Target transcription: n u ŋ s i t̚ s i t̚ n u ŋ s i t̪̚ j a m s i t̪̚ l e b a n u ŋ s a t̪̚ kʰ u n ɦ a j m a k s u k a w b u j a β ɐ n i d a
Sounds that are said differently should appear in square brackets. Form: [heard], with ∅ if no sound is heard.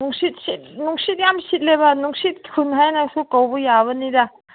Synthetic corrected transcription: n u ŋ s i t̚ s i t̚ n u ŋ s i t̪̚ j a m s i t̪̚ l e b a n u ŋ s [i] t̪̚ kʰ u n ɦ a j [n] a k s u k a w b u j a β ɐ n i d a